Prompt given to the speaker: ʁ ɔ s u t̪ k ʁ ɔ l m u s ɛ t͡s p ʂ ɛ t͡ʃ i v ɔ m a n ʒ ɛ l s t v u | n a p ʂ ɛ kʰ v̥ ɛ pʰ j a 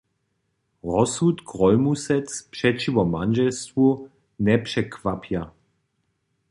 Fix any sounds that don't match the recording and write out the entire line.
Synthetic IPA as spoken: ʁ ɔ s u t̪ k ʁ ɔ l m u s ɛ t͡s p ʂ ɛ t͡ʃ i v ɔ m a n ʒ ɛ l s t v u | n ɛ p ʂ ɛ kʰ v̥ a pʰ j a